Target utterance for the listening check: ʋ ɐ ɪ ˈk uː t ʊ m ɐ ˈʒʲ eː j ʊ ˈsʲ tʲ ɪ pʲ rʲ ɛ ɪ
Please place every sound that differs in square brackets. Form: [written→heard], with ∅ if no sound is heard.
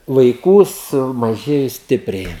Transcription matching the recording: ʋ ɐ ɪ ˈk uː [t→s] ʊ m ɐ ˈʒʲ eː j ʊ ˈsʲ tʲ ɪ pʲ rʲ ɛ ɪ